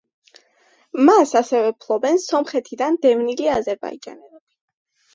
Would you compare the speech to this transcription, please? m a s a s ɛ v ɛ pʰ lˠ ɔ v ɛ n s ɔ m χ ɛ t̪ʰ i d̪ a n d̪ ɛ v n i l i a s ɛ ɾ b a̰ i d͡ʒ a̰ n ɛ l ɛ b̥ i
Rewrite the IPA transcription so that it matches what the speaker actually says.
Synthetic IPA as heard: m a s a s ɛ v ɛ pʰ lˠ ɔ b ɛ n s ɔ m χ ɛ t̪ʰ i d̪ a n d̪ ɛ v n i l i a z ɛ ɾ b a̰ i d͡ʒ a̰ n ɛ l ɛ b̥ i